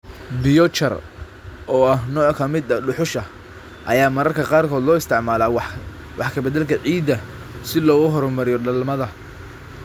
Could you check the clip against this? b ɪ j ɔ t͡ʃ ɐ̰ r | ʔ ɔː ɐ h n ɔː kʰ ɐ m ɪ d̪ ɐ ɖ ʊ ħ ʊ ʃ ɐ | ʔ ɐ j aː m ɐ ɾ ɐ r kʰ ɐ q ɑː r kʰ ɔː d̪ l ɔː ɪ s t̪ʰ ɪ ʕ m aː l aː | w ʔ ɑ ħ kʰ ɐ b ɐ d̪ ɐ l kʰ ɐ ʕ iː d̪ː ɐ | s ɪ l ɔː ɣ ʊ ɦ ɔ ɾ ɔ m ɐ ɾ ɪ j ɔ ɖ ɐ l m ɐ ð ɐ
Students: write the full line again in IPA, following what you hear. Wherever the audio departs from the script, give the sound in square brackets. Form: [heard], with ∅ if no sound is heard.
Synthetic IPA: b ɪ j ɔ t͡ʃ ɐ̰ r | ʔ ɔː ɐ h n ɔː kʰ ɐ m ɪ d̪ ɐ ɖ ʊ ħ ʊ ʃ ɐ | ʔ ɐ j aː m ɐ ɾ ɐ r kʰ ɐ q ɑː r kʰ ɔː d̪ l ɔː ɪ s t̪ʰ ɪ ʕ m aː l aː | w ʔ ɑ ħ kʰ ɐ b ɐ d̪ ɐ l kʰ ɐ ʕ iː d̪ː ɐ | s ɪ l ɔː ɣ ʊ ɦ ɔ ɾ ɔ m ɐ ɾ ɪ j ɔ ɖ ɐ l m ɐ ð ɐ